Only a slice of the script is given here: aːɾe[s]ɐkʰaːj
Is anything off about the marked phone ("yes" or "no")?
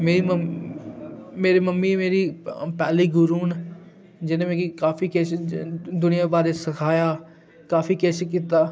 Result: no